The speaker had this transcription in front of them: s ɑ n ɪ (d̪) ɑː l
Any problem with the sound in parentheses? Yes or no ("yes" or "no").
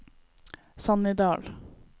no